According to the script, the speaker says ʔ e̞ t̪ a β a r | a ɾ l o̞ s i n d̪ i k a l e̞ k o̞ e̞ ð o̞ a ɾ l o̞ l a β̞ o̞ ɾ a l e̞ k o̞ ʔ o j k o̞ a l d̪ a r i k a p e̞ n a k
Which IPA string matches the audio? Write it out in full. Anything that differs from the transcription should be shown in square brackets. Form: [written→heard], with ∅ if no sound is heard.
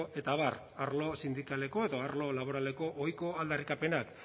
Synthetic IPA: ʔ e̞ t̪ a β a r | a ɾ l o̞ s i n d̪ i k a l e̞ k o̞ e̞ ð o̞ a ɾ l o̞ l a β̞ o̞ ɾ a l e̞ k o̞ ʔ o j k o̞ a l d̪ a r i k a p e̞ n a k

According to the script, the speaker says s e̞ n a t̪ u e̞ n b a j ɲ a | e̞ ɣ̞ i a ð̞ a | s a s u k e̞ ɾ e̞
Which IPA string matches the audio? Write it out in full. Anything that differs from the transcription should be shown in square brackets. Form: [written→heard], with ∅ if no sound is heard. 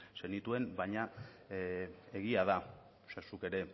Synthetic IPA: s e̞ n [a→i] t̪ u e̞ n b a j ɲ a | e̞ ɣ̞ i a ð̞ a | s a s u k e̞ ɾ e̞

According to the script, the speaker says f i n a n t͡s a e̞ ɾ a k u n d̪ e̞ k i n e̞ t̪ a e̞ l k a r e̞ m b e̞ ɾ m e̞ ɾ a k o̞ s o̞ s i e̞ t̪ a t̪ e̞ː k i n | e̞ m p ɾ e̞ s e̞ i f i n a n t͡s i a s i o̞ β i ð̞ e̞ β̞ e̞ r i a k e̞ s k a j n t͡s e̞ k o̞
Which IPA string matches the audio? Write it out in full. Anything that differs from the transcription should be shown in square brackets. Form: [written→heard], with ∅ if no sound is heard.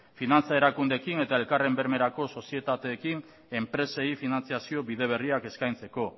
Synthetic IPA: f i n a n t͡s a e̞ ɾ a k u n d̪ e̞ k i n e̞ t̪ a e̞ l k a r e̞ m b e̞ ɾ m e̞ ɾ a k o̞ s o̞ s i e̞ t̪ a t̪ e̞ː k i n | e̞ m p ɾ e̞ s e̞ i f i n a n t͡s i a s i o̞ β i ð̞ e̞ β̞ e̞ r i a k e̞ s k a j n t͡s e̞ k o̞

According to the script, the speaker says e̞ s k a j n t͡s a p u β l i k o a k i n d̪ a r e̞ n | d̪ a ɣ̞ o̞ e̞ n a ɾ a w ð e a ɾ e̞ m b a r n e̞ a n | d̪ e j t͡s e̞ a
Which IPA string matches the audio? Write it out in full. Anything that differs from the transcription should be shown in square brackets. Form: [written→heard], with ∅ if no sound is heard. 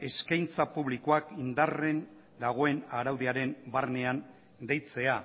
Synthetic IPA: e̞ s k a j n t͡s a p u β l i k o a k i n d̪ a r e̞ n | d̪ a ɣ̞ o̞ e̞ n a ɾ a w ð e a ɾ e̞ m b a r n e̞ a n | d̪ e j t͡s e̞ a

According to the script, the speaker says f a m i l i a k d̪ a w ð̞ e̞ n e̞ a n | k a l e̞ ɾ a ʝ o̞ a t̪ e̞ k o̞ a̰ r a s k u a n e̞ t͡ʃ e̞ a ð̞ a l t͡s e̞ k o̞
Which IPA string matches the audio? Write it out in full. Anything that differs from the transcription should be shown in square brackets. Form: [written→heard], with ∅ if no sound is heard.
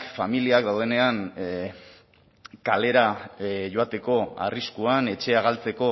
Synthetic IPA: f a m i l i a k d̪ a w ð̞ e̞ n e̞ a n | k a l e̞ ɾ a ʝ o̞ a t̪ e̞ k o̞ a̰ r [a→i] s k u a n e̞ t͡ʃ e̞ a [ð̞→ɣ̞] a l t͡s e̞ k o̞

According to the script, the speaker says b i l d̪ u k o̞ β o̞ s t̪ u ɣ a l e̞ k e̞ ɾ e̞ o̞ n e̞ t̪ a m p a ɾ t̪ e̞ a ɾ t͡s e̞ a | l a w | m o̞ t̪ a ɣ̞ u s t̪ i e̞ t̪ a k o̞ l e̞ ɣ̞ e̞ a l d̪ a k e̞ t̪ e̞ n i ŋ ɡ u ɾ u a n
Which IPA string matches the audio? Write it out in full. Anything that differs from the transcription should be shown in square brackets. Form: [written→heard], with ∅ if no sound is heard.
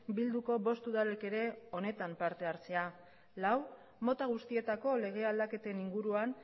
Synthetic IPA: b i l d̪ u k o̞ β o̞ s t̪ u [ɣ→ð] a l e̞ k e̞ ɾ e̞ o̞ n e̞ t̪ a m p a ɾ t̪ e̞ a ɾ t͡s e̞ a | l a w | m o̞ t̪ a ɣ̞ u s t̪ i e̞ t̪ a k o̞ l e̞ ɣ̞ e̞ a l d̪ a k e̞ t̪ e̞ n i ŋ ɡ u ɾ u a n

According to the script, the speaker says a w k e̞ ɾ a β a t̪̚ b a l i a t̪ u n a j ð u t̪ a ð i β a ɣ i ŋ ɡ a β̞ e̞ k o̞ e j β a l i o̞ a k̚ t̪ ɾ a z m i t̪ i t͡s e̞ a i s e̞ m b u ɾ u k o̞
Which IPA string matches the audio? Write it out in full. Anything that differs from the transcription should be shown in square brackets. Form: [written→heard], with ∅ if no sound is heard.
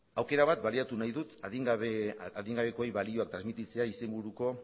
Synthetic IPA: a w k e̞ ɾ a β a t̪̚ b a l i a t̪ u n a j ð u t̪ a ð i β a [ɣ→ð] i ŋ ɡ a β̞ e̞ k o̞ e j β a l i o̞ a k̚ t̪ ɾ a z m i t̪ i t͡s e̞ a i s e̞ m b u ɾ u k o̞

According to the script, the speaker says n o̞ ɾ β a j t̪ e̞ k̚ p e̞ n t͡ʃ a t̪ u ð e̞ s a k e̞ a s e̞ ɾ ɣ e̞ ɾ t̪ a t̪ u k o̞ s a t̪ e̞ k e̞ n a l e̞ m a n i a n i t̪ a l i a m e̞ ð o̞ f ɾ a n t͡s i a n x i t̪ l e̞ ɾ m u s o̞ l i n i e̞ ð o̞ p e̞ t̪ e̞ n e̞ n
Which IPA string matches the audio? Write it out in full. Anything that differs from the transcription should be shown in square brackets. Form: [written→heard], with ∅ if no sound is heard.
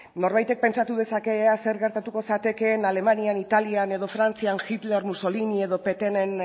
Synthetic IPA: n o̞ ɾ β a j t̪ e̞ k̚ p e̞ n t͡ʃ a t̪ u ð e̞ s a k e̞ a s e̞ ɾ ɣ e̞ ɾ t̪ a t̪ u k o̞ s a t̪ e̞ k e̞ n a l e̞ m a n i a n i t̪ a l i a [m→n] e̞ ð o̞ f ɾ a n t͡s i a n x i t̪ l e̞ ɾ m u s o̞ l i n i e̞ ð o̞ p e̞ t̪ e̞ n e̞ n

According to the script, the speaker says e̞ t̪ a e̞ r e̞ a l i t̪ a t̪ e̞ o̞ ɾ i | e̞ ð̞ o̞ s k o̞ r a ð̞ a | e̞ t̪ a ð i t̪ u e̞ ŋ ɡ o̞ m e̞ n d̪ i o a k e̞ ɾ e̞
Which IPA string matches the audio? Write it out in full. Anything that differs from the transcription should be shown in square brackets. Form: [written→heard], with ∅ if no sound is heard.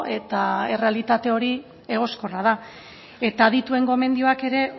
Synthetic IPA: e̞ t̪ a e̞ r e̞ a l i t̪ a t̪ e̞ o̞ ɾ i | e̞ [ð̞→ɣ̞] o̞ s k o̞ r a ð̞ a | e̞ t̪ a ð i t̪ u e̞ ŋ ɡ o̞ m e̞ n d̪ i o a k e̞ ɾ e̞

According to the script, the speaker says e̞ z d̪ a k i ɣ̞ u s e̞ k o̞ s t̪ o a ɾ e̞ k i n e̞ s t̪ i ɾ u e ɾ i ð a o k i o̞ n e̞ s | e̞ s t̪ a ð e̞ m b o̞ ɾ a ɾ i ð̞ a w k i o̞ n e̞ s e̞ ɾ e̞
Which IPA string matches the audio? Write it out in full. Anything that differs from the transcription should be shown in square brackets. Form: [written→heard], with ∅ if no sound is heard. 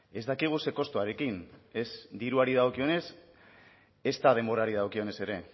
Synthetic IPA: e̞ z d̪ a k i ɣ̞ u s e̞ k o̞ s t̪ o a ɾ e̞ k i n e̞ s [t̪→d̪] i ɾ u [e→a] ɾ i ð a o k i o̞ n e̞ s | e̞ s t̪ a ð e̞ m b o̞ ɾ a ɾ i ð̞ a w k i o̞ n e̞ s e̞ ɾ e̞

